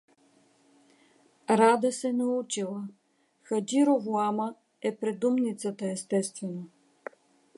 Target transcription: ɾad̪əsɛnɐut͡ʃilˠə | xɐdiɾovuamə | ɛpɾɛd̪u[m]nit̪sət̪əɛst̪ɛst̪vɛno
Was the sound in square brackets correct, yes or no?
yes